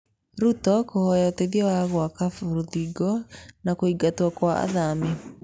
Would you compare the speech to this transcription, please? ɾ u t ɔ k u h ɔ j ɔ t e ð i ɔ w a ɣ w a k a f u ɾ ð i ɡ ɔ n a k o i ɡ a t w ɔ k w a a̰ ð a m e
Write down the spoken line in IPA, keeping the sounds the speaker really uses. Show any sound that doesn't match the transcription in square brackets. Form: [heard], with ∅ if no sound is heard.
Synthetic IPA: ɾ u t ɔ k [o] h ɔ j ɔ t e ð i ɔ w a ɣ w a k a f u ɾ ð i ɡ ɔ n a k o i ɡ a t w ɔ k w a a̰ ð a m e